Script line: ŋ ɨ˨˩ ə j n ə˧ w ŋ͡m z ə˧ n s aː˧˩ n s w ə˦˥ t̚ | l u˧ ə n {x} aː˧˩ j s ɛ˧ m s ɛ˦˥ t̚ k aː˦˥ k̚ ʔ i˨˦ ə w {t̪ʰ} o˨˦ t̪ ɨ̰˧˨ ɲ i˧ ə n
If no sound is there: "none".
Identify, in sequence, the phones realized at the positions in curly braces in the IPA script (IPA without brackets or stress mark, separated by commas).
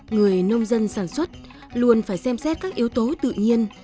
f, t̪